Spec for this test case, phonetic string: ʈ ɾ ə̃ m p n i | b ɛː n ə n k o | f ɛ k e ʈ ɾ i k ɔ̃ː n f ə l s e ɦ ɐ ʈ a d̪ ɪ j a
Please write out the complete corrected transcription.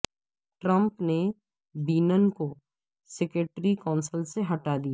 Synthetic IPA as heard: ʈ ɾ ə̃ m p n e | b iː n ə n k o | s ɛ k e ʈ ɾ i k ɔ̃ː n s ə l s e ɦ ɐ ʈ a d̪ i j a